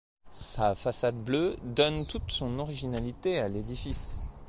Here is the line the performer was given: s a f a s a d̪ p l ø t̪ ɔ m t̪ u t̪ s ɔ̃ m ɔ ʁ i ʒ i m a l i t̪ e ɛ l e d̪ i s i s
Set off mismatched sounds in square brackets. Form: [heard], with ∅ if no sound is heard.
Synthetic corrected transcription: s a f a s a d̪ [b] l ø [d̪] ɔ [n] t̪ u t̪ s ɔ̃ [n] ɔ ʁ i ʒ i [n] a l i t̪ e [a] l e d̪ i [f] i s